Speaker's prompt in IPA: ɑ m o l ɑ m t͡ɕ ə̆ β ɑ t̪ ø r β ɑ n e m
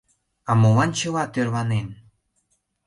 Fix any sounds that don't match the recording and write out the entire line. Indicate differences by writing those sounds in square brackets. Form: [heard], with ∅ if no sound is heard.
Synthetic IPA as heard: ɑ m o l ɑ [n] t͡ɕ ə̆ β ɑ t̪ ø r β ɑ n e [n]